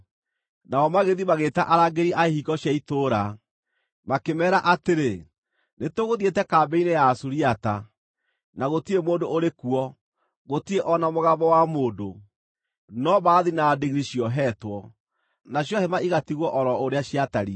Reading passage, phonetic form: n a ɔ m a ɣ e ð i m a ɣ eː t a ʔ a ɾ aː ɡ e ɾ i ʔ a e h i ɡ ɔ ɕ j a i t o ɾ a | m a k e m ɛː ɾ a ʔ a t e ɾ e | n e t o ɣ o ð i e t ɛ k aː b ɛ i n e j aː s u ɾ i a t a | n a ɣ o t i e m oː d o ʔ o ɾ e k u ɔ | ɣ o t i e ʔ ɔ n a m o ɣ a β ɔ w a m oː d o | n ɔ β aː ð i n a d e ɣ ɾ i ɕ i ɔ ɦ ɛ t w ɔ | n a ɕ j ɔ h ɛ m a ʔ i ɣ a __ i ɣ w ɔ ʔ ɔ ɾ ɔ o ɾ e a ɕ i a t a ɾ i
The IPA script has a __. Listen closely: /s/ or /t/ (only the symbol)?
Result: t